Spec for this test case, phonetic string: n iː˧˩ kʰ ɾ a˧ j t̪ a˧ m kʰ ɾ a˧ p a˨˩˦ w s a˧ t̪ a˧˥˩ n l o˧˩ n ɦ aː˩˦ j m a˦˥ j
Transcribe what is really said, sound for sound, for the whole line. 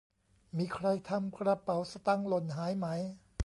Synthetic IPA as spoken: m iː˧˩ kʰ ɾ a˧ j t̪ʰ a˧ m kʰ ɾ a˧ p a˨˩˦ w s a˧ t̪ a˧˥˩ ŋ l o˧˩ n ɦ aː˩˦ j m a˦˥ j